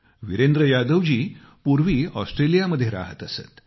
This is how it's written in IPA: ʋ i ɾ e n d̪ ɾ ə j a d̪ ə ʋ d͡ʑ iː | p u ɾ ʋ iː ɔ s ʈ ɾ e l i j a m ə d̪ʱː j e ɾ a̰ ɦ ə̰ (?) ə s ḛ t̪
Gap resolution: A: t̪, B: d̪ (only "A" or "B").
A